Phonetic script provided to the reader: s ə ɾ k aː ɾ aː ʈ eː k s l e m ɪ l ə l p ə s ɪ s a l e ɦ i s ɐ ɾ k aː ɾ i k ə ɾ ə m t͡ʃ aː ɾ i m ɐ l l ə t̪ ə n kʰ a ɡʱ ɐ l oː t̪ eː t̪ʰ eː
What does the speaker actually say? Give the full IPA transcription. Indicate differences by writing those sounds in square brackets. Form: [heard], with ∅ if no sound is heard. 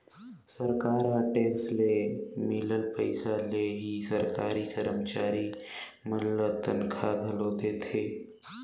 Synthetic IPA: s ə ɾ k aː ɾ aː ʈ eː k s l e m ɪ l ə l p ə [∅] ɪ s a l e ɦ i s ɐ ɾ k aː ɾ i k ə ɾ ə m t͡ʃ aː ɾ i m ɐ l l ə t̪ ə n kʰ a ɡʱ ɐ l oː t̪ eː t̪ʰ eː